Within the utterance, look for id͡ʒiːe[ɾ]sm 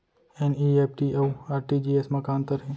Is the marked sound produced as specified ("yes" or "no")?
no